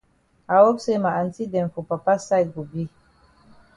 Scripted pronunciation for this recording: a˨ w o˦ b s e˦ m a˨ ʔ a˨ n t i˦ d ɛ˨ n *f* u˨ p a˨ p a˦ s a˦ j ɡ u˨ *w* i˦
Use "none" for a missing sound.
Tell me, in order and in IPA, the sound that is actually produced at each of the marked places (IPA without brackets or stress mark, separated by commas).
f, b